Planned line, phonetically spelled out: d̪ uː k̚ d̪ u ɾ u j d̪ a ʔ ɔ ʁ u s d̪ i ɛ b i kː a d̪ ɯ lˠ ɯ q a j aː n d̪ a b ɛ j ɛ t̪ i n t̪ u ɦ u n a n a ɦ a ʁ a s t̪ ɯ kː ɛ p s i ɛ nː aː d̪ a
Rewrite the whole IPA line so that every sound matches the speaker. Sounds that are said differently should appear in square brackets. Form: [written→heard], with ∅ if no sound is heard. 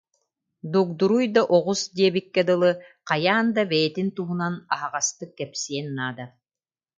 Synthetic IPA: d̪ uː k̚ d̪ u ɾ u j d̪ a ʔ ɔ ʁ u s d̪ i ɛ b i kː [a→ɛ] d̪ ɯ lˠ ɯ q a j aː n d̪ a b ɛ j ɛ t̪ i n t̪ u ɦ u n a n a ɦ a ʁ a s t̪ ɯ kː ɛ p s i ɛ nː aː d̪ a

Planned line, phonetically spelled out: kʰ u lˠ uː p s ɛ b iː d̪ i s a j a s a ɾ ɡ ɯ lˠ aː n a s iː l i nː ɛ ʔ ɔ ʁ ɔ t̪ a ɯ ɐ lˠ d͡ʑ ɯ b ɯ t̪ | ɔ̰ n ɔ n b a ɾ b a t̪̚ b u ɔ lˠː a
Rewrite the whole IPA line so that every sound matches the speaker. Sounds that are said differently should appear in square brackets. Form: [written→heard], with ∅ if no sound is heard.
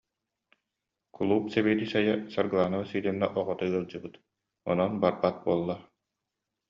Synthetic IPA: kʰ u lˠ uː p s ɛ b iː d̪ i s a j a s a ɾ ɡ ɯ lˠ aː n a s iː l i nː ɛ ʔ ɔ ʁ ɔ t̪ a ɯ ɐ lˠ d͡ʑ ɯ b ɯ t̪ | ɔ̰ n ɔ n b a ɾ b a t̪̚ b u ɔ lˠː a

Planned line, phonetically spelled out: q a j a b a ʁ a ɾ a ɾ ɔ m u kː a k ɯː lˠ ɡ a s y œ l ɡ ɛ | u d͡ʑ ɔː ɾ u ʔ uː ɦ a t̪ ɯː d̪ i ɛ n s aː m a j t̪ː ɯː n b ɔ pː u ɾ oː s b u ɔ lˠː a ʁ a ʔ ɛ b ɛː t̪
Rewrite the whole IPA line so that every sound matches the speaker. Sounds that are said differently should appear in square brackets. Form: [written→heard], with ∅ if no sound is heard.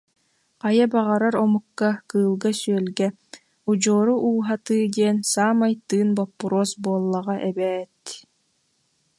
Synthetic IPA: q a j a b a ʁ a ɾ a ɾ ɔ m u kː a k ɯː lˠ ɡ a s y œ l ɡ ɛ | u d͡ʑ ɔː ɾ u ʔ uː ɦ a t̪ ɯː d̪ i ɛ n s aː m a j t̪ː ɯː n b ɔ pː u ɾ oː s b u ɔ lˠː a ʁ a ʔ ɛ b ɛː t̪

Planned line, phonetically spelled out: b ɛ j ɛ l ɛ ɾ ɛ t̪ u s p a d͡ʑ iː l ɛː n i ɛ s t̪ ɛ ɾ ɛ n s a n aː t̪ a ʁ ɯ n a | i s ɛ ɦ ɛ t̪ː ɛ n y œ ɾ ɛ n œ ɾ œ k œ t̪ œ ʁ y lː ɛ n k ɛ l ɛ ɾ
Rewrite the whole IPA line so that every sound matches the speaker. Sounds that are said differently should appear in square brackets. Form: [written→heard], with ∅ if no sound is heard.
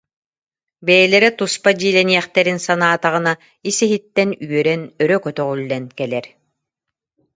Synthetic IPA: b ɛ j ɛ l ɛ ɾ ɛ t̪ u s p a d͡ʑ iː l [ɛː→ɛ] n i ɛ [s→χ] t̪ ɛ ɾ [ɛ→i] n s a n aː t̪ a ʁ ɯ n a | i s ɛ ɦ [ɛ→i] t̪ː ɛ n y œ ɾ ɛ n œ ɾ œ k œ t̪ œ ʁ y lː ɛ n k ɛ l ɛ ɾ

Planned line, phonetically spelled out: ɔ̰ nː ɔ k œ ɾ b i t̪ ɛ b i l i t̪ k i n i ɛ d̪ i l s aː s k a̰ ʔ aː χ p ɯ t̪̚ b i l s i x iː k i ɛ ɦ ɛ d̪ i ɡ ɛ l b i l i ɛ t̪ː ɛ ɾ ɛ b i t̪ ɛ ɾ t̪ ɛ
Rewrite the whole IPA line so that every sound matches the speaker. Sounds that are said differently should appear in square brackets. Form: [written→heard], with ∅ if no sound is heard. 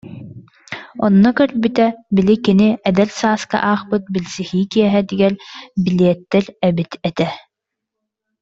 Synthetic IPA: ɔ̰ nː ɔ k œ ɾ b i t̪ ɛ b i l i [t̪→∅] k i n i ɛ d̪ [i→ɛ] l s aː s k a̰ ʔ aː χ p ɯ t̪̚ b i l s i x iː k i ɛ ɦ ɛ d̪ i ɡ ɛ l b i l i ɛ t̪ː ɛ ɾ ɛ b i t̪ ɛ [ɾ→∅] t̪ ɛ

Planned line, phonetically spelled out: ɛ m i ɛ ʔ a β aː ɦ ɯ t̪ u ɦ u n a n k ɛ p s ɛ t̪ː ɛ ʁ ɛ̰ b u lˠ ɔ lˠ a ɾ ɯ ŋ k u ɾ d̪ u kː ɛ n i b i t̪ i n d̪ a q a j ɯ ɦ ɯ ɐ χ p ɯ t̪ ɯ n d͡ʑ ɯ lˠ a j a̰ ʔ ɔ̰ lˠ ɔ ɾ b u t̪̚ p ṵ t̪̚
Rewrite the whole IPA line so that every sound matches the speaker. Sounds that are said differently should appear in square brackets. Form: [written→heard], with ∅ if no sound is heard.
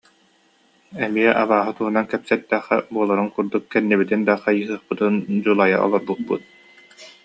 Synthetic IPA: ɛ m i ɛ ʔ a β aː ɦ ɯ t̪ u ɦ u n a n k ɛ p s ɛ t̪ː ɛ [ʁ→χ] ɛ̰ b u [lˠ→∅] ɔ lˠ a ɾ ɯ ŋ k u ɾ d̪ u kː ɛ [n→nː] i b i t̪ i n d̪ a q a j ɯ ɦ ɯ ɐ χ p ɯ t̪ ɯ n d͡ʑ [ɯ→u] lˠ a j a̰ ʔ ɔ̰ lˠ ɔ ɾ b u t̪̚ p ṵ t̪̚

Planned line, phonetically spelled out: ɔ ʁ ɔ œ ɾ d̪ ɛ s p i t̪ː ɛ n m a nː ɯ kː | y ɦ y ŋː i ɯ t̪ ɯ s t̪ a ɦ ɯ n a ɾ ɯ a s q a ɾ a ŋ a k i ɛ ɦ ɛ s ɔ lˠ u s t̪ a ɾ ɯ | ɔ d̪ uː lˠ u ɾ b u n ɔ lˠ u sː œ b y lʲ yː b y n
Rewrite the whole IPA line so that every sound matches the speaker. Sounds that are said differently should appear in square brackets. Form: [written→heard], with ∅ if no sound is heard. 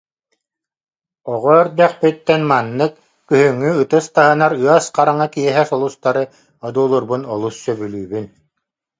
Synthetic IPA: ɔ ʁ ɔ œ ɾ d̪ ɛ [s→χ] p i t̪ː ɛ n m a nː ɯ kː | y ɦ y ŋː [i→y] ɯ t̪ ɯ s t̪ a ɦ ɯ n a ɾ ɯ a s q a ɾ a ŋ a k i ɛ ɦ ɛ s ɔ lˠ u s t̪ a ɾ ɯ | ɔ d̪ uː lˠ u ɾ b u n ɔ lˠ u sː œ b y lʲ yː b y n

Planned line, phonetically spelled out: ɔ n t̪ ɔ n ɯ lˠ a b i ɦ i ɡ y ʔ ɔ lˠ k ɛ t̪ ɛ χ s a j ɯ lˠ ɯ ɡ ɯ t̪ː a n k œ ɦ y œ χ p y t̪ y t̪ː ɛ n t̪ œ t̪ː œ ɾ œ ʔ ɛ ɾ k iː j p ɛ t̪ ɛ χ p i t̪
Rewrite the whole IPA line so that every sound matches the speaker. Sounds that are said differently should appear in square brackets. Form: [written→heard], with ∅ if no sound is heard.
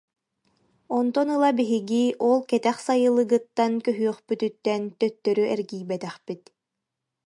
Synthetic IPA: ɔ n t̪ ɔ n ɯ lˠ a b i ɦ i ɡ [y→i] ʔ ɔ lˠ k ɛ t̪ ɛ χ s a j ɯ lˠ ɯ ɡ ɯ t̪ː a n k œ ɦ y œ χ p y t̪ y t̪ː ɛ n t̪ œ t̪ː œ ɾ [œ→y] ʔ ɛ ɾ [k→ɡ] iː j [p→b] ɛ t̪ ɛ χ p i t̪

